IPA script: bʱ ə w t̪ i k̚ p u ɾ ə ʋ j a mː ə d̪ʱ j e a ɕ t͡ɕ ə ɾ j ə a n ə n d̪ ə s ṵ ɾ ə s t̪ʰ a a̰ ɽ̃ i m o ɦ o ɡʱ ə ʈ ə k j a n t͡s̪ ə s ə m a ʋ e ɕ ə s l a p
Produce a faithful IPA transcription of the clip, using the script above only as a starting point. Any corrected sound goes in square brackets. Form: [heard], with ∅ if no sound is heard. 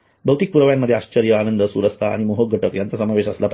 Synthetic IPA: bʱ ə w t̪ i k̚ p u ɾ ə ʋ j a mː ə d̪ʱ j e a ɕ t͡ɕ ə ɾ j ə a n ə n d̪ ə s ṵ ɾ ə s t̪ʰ a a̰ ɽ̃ i m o ɦ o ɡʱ ə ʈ ə k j a n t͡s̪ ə s ə m a ʋ e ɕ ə s l a p

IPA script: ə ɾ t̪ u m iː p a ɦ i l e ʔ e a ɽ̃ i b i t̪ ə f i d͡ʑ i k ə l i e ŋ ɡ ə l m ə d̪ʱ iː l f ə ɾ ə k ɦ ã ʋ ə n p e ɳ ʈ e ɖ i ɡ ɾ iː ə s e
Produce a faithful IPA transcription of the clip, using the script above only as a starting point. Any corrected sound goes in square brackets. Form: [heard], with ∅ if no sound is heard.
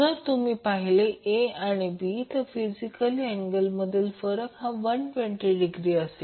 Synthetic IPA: ə ɾ t̪ u m iː p a ɦ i l e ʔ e a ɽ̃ i b i t̪ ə f i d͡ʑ i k ə l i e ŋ ɡ ə l m ə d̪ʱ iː l f ə ɾ ə k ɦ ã ʋ ə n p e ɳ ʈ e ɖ i ɡ ɾ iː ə s e

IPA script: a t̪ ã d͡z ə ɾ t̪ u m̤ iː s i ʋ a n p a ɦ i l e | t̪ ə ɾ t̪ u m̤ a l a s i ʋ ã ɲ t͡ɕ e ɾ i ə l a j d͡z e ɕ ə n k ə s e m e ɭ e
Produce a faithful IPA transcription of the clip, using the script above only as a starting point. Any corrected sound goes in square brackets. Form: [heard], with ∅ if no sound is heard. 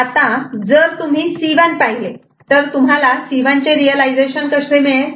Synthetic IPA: a t̪ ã d͡z ə ɾ t̪ u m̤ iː s i ʋ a n p a ɦ i l e | t̪ ə ɾ t̪ u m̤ a l a s i ʋ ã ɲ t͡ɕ e ɾ i ə l a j d͡z e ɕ ə n k ə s e m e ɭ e

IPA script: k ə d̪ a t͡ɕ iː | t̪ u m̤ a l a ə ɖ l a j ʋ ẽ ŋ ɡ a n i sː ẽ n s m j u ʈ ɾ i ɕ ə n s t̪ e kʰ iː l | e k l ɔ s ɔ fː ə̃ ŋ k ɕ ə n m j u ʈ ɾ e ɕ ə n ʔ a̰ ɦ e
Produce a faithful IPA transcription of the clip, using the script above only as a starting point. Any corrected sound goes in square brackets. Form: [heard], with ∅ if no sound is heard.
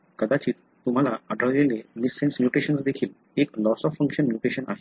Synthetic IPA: k ə d̪ a t͡ɕ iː | t̪ u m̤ a l a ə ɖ [ɾ] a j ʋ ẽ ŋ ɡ [e] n i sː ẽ n s m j u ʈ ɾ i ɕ ə n s [d̪] e kʰ iː l | e k l ɔ s ɔ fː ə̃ ŋ k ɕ ə n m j u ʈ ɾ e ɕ ə n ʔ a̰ ɦ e

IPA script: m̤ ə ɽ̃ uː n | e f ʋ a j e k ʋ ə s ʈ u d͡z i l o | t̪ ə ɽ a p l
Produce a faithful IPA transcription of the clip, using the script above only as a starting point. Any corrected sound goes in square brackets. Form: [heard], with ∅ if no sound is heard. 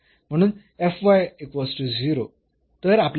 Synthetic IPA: m̤ ə ɽ̃ uː n | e f ʋ a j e k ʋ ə s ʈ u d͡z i [ɾ] o | t̪ ə [ɾ] a p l

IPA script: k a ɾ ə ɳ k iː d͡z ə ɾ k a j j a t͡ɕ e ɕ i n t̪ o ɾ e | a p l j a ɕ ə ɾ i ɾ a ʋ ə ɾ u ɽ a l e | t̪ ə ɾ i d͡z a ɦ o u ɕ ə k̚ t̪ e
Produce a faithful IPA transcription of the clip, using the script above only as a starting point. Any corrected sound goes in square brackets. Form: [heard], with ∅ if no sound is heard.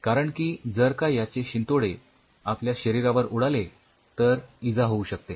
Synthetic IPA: k a ɾ ə ɳ k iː d͡z ə ɾ k a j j a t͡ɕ e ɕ i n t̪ o [ɽ] e | a p l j a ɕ ə ɾ i ɾ a ʋ ə ɾ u ɽ a l e | t̪ ə ɾ i d͡z a ɦ o u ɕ ə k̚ t̪ e

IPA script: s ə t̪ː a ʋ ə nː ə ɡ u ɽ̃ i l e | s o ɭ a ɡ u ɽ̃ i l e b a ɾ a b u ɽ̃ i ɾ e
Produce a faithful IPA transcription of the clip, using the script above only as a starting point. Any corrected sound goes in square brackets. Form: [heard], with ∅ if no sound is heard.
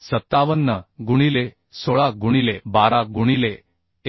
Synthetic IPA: s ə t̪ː a ʋ ə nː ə ɡ u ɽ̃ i l e | s o ɭ a ɡ u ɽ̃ i l e b a ɾ a [ɡ] u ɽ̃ i [l] e

